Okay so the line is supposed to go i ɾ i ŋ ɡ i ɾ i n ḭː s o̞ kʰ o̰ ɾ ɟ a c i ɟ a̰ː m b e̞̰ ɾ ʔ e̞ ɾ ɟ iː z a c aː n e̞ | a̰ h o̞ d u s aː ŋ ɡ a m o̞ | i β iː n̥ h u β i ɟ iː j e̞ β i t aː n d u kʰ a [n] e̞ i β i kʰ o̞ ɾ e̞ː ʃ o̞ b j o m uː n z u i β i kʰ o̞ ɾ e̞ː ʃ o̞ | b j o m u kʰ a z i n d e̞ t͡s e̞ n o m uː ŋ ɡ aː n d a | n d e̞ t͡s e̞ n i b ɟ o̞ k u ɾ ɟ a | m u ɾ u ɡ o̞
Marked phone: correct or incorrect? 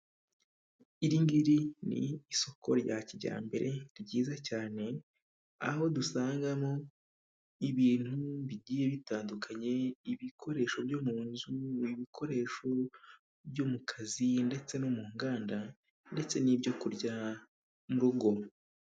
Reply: incorrect: ɲ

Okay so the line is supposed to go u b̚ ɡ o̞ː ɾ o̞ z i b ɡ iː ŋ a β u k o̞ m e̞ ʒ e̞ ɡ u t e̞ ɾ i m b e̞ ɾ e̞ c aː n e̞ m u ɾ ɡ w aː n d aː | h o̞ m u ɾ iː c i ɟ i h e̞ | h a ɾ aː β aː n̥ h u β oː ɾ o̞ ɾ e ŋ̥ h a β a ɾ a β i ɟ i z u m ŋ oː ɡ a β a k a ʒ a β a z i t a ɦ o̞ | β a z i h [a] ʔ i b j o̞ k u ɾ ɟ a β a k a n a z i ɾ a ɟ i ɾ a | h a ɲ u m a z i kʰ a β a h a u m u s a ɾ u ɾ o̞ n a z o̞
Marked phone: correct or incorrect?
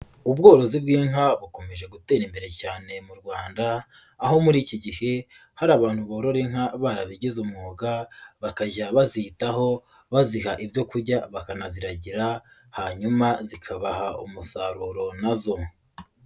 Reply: correct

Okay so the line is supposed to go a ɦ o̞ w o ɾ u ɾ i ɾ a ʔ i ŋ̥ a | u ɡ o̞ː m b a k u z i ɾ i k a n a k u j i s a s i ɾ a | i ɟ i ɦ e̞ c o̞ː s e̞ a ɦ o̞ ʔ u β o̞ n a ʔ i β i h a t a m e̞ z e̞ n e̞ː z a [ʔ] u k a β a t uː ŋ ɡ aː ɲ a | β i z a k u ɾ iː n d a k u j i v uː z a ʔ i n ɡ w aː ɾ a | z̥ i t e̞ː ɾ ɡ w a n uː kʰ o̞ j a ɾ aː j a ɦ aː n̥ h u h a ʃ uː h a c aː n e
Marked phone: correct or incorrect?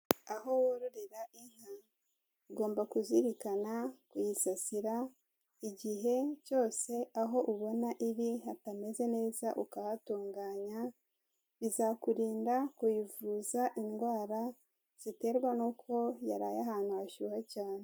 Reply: correct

